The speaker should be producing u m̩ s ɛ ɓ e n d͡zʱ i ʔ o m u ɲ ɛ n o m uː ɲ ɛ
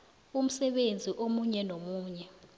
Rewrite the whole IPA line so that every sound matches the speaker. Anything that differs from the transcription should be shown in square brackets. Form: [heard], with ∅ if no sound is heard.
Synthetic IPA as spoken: u m̩ s ɛ ɓ e n d͡zʱ i ʔ o m u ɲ ɛ n o m uː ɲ ɛ